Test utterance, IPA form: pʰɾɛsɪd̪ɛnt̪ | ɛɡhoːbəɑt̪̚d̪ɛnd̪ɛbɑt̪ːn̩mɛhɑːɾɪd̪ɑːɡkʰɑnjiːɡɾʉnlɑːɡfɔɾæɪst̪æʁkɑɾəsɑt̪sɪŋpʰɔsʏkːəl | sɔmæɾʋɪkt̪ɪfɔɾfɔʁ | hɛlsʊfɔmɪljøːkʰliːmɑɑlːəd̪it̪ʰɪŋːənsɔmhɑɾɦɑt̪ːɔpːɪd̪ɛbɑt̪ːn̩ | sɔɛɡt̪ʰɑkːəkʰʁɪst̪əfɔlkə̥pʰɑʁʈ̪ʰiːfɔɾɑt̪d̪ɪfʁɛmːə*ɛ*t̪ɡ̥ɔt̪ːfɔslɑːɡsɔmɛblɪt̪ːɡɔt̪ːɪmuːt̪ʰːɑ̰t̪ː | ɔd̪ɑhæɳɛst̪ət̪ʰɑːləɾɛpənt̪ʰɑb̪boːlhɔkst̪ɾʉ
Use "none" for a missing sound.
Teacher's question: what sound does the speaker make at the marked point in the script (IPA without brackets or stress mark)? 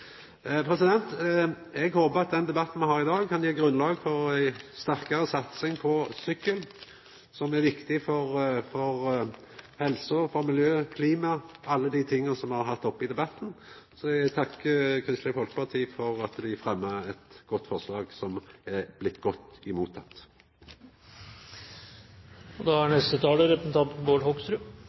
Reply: ɛ